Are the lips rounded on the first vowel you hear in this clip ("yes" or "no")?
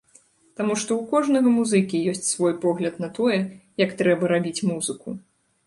no